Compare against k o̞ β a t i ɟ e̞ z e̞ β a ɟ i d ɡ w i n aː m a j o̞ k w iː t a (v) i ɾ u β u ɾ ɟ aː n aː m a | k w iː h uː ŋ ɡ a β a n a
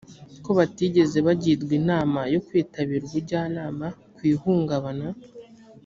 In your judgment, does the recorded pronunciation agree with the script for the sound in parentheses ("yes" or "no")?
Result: no